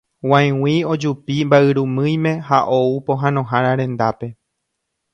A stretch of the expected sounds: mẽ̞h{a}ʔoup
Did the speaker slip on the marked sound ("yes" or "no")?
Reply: no